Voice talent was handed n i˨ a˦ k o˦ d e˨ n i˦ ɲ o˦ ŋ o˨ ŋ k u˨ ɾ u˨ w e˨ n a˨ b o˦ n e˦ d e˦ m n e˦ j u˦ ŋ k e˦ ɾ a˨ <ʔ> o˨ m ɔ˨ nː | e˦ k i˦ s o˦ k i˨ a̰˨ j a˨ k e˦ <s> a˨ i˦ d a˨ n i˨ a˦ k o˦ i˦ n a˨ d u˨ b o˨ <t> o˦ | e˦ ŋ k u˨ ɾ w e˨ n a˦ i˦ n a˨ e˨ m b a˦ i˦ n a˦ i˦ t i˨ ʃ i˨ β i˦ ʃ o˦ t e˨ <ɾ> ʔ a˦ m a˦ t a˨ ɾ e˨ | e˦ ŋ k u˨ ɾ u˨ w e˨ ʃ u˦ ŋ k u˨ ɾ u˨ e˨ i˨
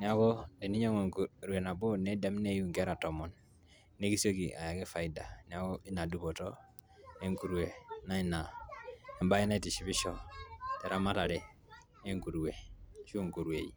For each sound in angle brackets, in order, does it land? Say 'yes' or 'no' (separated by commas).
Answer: no, no, yes, yes